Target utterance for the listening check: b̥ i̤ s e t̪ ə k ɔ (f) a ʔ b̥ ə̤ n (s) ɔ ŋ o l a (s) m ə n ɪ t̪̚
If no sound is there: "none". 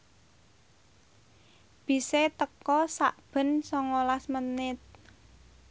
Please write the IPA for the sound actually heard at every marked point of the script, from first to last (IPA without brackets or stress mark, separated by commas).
s, s, s